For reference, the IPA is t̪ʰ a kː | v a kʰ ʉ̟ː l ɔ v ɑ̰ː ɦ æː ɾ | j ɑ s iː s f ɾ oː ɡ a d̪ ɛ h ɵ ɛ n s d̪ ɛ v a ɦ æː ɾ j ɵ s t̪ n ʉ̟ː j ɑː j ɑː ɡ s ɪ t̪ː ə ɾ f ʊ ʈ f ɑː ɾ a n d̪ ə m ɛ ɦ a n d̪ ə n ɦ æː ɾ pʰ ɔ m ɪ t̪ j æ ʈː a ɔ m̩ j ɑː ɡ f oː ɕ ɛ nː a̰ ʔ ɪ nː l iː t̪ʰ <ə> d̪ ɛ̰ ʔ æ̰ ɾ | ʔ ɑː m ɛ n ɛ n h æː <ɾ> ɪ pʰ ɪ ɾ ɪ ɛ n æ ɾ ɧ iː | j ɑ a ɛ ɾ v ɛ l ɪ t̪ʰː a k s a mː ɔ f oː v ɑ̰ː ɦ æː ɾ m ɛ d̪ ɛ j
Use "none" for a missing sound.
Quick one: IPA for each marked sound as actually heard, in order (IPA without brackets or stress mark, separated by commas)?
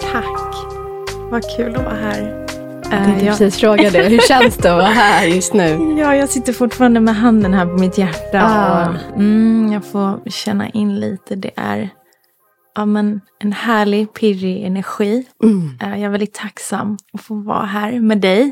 ə, ɭ